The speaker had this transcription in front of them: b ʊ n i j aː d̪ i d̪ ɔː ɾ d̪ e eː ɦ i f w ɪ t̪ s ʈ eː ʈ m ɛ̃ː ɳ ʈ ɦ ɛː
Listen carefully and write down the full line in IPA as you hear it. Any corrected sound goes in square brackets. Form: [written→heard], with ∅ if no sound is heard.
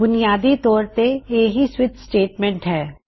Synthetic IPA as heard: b ʊ n i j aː d̪ i [d̪→t̪] ɔː ɾ [d̪→t̪] e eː ɦ i [f→s] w ɪ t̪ s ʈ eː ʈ m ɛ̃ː ɳ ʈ ɦ ɛː